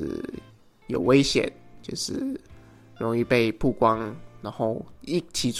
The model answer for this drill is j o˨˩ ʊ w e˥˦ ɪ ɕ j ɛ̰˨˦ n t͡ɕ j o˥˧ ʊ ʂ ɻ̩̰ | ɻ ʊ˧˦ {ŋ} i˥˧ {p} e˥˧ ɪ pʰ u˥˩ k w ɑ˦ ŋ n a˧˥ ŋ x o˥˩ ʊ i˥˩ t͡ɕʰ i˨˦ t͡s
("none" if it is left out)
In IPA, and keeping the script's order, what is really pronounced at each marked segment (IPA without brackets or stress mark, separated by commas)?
ŋ, p